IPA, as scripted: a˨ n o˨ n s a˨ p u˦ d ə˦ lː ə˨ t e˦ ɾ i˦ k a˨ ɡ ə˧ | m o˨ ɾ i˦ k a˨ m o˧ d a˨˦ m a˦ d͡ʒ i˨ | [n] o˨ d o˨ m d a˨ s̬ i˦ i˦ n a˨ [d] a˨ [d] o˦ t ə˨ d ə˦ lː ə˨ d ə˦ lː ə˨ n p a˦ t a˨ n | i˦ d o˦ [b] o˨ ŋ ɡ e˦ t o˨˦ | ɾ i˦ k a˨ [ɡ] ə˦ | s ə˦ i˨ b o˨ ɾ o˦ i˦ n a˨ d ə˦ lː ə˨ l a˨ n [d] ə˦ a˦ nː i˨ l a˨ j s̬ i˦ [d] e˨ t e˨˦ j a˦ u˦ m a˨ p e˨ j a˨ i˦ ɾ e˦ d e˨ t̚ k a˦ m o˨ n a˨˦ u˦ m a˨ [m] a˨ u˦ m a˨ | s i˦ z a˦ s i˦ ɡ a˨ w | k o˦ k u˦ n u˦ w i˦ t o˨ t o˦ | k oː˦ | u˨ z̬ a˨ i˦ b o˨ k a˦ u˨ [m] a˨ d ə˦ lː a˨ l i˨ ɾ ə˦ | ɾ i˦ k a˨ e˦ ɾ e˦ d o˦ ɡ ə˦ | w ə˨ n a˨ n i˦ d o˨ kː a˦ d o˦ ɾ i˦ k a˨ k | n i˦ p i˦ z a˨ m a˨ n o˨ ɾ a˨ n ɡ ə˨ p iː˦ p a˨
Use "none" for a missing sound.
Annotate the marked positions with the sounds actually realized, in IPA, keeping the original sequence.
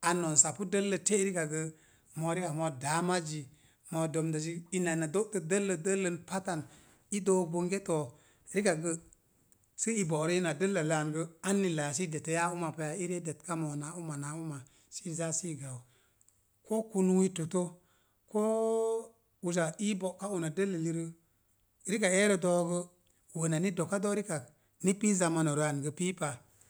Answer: m, n, d, b, ɡ, ɡ, d, n, n

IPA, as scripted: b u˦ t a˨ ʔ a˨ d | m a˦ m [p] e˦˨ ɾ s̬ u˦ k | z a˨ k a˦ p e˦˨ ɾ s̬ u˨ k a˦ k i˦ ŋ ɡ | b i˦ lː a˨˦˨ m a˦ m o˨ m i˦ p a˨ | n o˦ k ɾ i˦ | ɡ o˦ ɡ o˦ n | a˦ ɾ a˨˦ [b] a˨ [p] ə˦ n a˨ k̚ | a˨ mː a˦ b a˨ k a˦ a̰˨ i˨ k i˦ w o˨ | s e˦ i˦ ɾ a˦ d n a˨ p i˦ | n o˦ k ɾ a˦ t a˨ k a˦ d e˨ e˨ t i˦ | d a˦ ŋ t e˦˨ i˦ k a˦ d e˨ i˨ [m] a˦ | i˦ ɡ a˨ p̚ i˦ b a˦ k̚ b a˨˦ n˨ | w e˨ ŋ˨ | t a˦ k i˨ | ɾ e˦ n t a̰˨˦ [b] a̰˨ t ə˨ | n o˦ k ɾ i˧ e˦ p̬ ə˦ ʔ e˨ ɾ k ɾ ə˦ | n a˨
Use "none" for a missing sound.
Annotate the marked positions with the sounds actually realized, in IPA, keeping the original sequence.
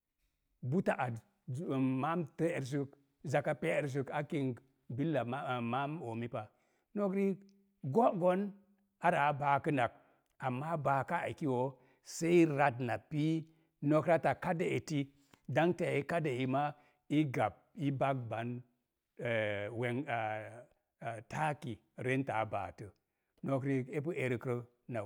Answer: t, b, k, m, b

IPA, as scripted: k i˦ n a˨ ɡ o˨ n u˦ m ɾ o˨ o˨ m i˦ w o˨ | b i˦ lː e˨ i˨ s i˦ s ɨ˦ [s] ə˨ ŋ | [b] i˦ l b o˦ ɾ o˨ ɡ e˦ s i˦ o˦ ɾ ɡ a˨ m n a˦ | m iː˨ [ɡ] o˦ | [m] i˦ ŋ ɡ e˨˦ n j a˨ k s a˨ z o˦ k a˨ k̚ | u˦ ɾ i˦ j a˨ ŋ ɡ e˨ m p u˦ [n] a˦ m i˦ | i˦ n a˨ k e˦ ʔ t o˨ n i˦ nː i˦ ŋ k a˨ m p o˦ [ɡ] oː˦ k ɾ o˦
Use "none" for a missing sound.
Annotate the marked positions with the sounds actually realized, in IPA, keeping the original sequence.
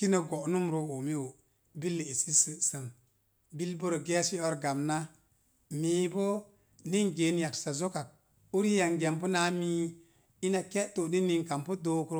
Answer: s, b, b, n, n, d

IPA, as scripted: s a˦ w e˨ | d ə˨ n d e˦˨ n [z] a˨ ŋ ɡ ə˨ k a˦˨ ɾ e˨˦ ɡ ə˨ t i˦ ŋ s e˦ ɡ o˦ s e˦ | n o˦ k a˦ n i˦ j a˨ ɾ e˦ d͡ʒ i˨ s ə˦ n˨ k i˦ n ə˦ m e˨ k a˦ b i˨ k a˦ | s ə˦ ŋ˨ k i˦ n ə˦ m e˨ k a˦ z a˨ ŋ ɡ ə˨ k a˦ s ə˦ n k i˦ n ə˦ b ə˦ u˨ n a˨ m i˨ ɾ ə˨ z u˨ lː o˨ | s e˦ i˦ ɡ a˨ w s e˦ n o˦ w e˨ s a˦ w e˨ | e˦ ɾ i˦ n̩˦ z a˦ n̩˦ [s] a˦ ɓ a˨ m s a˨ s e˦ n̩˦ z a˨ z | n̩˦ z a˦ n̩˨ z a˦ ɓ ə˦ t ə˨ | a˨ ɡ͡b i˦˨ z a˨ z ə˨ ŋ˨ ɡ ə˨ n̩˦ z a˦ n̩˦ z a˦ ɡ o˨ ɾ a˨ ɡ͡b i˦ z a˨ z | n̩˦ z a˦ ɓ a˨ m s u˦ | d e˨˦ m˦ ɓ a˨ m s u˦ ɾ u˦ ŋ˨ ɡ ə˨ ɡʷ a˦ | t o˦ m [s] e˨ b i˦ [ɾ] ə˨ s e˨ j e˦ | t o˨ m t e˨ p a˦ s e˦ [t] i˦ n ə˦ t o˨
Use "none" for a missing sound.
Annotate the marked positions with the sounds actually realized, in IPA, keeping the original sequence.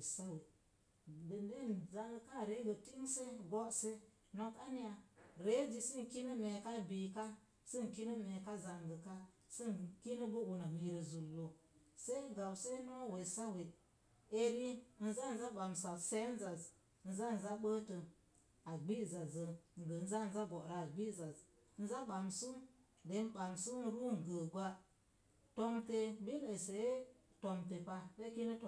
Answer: z, z, t, l, k

